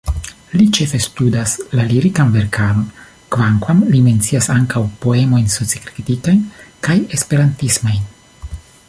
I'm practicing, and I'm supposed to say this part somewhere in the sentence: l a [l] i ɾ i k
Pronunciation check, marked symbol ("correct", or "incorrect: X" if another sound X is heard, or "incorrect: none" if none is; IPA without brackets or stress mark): correct